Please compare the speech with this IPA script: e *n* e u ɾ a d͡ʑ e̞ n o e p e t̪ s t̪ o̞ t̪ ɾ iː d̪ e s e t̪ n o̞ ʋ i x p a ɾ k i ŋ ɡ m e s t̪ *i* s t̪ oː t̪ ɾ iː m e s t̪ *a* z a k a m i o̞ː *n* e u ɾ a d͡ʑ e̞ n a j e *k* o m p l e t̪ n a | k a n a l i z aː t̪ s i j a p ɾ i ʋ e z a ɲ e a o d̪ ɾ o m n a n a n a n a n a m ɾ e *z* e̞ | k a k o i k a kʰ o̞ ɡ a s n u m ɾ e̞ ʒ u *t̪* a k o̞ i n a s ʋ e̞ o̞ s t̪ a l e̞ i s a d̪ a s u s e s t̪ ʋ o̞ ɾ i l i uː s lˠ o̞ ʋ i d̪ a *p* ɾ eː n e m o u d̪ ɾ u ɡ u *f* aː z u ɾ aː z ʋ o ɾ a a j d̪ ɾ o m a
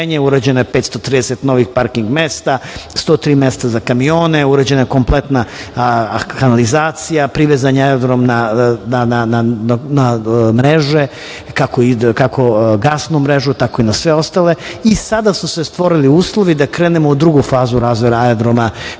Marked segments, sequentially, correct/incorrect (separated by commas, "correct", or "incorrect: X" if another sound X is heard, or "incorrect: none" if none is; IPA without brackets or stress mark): incorrect: ɲ, incorrect: a, correct, correct, correct, incorrect: ʒ, correct, incorrect: k, correct